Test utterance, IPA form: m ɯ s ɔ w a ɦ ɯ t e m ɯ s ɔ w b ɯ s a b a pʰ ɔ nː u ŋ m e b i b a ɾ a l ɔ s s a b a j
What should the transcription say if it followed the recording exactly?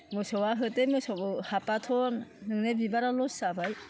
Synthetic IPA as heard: m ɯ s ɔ w a ɦ ɯ t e m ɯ s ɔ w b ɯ h a p a tʰ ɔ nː ɯ ŋ n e b i b a ɾ a l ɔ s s a b a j